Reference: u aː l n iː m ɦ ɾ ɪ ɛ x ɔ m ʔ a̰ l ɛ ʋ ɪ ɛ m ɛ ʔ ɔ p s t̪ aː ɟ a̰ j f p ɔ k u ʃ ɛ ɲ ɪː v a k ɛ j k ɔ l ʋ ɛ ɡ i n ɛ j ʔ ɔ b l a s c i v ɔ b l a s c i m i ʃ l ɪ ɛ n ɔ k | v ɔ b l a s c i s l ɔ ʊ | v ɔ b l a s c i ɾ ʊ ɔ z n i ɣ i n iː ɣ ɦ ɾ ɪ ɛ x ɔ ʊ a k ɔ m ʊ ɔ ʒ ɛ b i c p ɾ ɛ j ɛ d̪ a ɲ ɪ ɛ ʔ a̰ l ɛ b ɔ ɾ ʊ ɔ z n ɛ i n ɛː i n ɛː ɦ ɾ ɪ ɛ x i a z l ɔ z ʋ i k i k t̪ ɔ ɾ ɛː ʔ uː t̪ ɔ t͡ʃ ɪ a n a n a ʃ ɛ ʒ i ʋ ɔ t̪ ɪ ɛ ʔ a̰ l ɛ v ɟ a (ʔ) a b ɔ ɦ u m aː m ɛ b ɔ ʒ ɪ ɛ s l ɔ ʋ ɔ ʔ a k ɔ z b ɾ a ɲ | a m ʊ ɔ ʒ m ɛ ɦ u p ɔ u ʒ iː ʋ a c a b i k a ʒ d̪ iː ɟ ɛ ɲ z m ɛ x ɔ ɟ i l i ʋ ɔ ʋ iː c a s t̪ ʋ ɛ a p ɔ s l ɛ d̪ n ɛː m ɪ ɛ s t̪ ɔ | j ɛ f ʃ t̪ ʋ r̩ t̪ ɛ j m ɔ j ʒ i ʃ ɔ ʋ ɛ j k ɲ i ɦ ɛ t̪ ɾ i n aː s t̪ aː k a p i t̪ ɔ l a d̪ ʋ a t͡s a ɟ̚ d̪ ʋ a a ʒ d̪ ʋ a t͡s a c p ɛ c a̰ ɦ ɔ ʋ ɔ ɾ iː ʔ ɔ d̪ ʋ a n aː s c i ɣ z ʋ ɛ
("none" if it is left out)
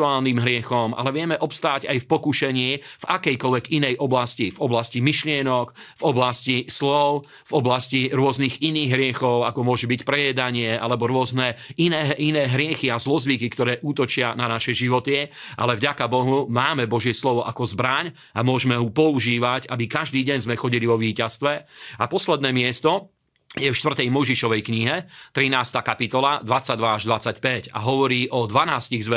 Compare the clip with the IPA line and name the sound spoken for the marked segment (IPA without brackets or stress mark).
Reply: k